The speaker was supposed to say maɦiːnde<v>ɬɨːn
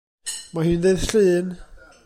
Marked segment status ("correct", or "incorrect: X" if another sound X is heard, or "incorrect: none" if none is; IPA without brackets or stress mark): incorrect: ð